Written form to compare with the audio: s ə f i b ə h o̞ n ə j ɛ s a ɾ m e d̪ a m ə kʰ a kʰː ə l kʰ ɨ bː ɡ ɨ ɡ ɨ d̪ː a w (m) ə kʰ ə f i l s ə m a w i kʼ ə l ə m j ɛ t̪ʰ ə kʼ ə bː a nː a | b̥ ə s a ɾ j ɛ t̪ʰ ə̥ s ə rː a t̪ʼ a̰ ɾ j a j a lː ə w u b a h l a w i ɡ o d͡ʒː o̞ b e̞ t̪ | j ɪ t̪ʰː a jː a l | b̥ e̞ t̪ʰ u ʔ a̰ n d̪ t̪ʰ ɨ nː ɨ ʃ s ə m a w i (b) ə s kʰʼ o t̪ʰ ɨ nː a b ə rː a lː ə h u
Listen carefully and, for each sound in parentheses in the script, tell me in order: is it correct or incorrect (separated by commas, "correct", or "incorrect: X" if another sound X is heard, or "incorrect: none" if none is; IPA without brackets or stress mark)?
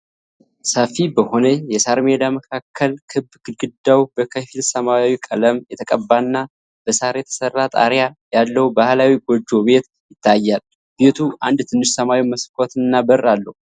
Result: incorrect: b, incorrect: m